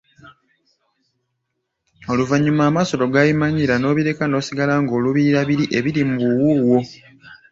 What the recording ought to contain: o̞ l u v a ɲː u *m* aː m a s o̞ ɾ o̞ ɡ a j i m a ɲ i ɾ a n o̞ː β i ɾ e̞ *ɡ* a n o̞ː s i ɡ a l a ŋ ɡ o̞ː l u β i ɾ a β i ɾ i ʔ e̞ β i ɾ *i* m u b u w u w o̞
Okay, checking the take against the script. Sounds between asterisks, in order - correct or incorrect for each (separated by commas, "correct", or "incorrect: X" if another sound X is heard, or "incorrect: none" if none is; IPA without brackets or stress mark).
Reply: correct, incorrect: k, correct